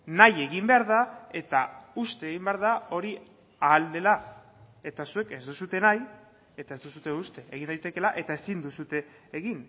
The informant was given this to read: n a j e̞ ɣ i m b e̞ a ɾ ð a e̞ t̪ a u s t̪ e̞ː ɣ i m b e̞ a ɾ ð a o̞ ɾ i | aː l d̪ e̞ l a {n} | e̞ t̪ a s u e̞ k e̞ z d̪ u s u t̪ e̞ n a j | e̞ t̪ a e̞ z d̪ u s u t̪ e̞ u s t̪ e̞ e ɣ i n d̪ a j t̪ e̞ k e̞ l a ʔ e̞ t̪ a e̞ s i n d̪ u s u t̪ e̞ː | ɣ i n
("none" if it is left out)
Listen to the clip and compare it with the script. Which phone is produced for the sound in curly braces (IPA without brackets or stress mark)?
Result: none